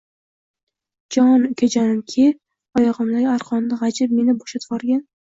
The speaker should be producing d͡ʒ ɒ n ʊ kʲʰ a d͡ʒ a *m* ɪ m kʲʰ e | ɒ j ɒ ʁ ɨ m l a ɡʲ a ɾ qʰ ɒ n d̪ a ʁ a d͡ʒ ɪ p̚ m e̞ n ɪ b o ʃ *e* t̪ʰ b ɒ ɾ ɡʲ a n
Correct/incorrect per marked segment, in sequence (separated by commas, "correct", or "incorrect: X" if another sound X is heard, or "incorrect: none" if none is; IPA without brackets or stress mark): incorrect: n, incorrect: a